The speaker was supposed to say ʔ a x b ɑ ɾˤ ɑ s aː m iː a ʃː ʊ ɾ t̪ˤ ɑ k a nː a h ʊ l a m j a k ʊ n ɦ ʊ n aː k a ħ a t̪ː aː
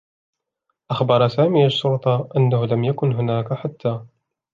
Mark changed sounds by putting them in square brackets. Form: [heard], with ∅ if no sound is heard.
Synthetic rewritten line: ʔ a x b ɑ ɾˤ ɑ s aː m iː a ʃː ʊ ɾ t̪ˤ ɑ [ʔ] a nː a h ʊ l a m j a k ʊ n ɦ ʊ n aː k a ħ a t̪ː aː